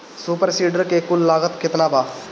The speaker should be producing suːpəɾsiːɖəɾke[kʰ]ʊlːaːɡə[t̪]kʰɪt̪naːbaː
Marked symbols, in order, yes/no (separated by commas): no, yes